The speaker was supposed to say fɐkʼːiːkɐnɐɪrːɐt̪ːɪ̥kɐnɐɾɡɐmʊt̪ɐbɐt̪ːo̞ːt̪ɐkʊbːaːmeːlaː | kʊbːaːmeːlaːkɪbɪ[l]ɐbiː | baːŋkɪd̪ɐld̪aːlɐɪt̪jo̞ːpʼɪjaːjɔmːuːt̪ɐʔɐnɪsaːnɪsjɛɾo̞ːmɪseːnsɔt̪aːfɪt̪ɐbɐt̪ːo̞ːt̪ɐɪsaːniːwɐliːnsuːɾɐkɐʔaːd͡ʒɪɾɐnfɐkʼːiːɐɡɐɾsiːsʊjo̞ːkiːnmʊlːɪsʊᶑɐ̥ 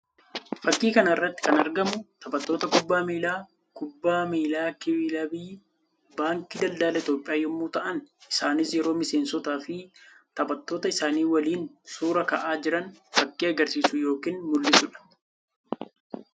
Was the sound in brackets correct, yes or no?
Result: yes